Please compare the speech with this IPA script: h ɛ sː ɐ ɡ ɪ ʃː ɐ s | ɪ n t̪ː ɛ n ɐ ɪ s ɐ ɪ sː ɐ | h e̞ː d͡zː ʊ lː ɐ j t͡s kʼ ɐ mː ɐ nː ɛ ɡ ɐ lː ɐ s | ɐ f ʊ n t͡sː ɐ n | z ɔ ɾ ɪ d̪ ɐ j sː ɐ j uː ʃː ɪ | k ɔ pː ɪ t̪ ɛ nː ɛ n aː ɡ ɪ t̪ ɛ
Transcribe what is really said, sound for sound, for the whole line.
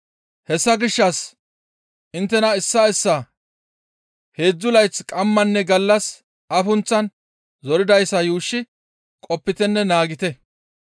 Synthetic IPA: h ɛ sː ɐ ɡ ɪ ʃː ɐ s | ɪ n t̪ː ɛ n ɐ ɪ sː ɐ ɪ sː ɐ | h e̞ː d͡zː ʊ l ɐ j t͡s kʼ ɐ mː ɐ nː ɛ ɡ ɐ lː ɐ s | ɐ f ʊ n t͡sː ɐ n | z ɔ ɾ ɪ d̪ ɐ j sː ɐ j uː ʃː ɪ | kʼ ɔ pː ɪ t̪ ɛ nː ɛ n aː ɡ ɪ t̪ ɛ